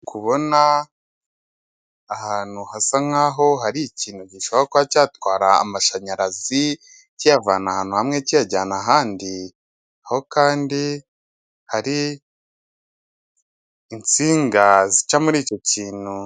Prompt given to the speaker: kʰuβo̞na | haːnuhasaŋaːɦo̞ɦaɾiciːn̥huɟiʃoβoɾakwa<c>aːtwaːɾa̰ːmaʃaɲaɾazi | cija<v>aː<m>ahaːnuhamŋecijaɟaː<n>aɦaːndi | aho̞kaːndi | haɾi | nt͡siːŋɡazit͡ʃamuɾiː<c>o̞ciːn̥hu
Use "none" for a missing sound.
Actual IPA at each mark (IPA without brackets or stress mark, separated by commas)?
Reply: c, v, n, n, c